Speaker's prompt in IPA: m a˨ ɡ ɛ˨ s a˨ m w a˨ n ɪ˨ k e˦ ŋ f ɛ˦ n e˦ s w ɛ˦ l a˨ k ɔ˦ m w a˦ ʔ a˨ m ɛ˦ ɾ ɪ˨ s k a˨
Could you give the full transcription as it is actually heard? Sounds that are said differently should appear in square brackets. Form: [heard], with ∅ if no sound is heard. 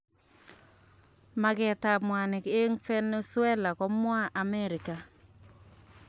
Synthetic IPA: m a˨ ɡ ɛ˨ [t] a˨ m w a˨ n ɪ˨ k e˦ ŋ f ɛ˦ n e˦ s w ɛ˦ l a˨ k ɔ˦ m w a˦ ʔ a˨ m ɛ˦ ɾ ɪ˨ [∅] k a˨